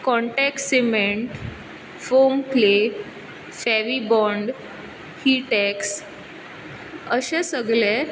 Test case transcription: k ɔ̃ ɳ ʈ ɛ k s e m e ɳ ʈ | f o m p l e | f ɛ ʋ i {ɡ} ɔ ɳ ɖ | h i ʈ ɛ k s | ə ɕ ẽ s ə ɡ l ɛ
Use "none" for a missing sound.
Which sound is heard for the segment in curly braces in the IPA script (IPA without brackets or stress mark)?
b